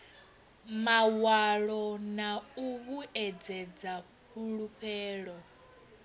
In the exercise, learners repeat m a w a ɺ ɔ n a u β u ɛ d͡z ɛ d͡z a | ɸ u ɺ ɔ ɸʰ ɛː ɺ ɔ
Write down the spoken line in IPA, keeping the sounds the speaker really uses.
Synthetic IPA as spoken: m a w a ɺ ɔ n a u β u ɛ d͡z ɛ d͡z a | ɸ u ɺ u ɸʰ ɛː ɺ ɔ